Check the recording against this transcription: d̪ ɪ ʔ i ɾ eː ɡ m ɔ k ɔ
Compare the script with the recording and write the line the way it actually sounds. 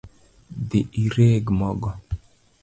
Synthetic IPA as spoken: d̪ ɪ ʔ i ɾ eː ɡ m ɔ ɡ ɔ